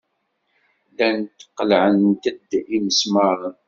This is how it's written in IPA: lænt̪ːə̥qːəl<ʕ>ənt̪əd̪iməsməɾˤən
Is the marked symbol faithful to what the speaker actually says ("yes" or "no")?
yes